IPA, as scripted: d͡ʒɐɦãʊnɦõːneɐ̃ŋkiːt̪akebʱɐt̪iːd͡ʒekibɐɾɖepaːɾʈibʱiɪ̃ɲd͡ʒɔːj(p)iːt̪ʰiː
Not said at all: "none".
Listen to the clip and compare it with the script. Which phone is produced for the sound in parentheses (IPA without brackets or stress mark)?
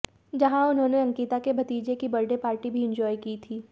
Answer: k